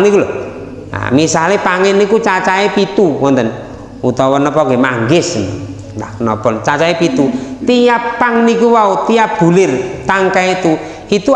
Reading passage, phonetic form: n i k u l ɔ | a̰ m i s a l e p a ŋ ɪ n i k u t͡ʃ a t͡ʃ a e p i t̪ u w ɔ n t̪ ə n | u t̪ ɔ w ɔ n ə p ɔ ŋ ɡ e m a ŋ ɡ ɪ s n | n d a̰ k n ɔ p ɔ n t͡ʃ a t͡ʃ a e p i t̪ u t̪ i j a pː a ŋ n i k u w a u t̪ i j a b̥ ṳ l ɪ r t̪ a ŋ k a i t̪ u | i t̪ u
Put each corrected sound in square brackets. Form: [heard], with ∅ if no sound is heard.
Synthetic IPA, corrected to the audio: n i k u l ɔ | a̰ m i s a l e p a ŋ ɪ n i k u t͡ʃ a t͡ʃ a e p i t̪ u w ɔ n t̪ ə n | u t̪ ɔ w ɔ n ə p ɔ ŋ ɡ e m a ŋ ɡ ɪ s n | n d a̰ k n ɔ p ɔ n t͡ʃ a t͡ʃ a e p i t̪ u t̪ i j a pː a ŋ n i k u w a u t̪ i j a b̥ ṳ l ɪ r t̪ a ŋ k a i t̪ u | i t̪ u